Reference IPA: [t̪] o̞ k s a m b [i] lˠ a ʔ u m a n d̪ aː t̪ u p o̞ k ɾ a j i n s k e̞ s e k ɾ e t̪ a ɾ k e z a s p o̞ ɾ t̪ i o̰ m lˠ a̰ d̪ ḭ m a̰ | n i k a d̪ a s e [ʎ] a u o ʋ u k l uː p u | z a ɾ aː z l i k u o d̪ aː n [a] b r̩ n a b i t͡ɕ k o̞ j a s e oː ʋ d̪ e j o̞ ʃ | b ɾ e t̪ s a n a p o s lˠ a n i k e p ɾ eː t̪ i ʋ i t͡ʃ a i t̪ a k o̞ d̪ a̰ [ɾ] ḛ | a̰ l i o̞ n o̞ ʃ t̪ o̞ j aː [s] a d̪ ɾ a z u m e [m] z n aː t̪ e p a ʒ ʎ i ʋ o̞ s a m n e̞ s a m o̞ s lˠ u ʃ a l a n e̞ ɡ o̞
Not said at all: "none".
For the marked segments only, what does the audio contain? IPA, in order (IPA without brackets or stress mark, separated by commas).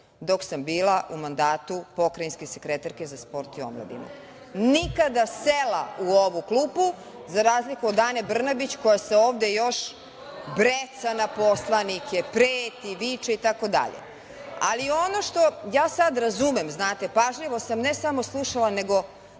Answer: d̪, iː, l, e, ʎ, s, m